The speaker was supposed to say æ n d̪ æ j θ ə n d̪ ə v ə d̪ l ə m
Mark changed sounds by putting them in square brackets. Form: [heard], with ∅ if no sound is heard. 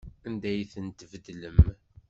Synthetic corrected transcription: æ n d̪ æ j θ ə n [t̪] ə v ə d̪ l ə m